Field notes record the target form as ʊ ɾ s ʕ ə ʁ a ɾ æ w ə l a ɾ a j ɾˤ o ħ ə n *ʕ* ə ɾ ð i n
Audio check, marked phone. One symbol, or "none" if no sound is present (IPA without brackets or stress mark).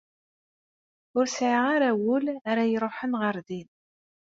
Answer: ʁ